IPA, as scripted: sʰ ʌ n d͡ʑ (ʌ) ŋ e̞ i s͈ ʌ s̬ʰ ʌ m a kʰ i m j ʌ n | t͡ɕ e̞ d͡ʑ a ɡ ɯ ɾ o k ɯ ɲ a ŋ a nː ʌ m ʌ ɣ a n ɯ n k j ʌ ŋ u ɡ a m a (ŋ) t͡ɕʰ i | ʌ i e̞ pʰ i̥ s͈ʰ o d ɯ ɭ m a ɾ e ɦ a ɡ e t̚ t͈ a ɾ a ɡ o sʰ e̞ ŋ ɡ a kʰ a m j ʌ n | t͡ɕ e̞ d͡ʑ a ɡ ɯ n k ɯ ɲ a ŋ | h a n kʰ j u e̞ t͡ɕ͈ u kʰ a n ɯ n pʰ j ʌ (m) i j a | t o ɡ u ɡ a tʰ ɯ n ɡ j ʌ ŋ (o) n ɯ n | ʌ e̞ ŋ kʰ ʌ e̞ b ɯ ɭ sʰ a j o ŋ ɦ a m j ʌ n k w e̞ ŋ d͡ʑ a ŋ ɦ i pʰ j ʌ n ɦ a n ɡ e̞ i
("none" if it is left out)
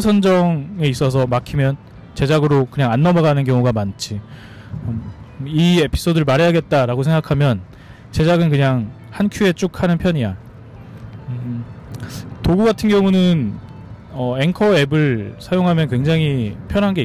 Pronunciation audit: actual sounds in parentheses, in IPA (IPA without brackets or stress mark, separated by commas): ʌ, n, ɲ, u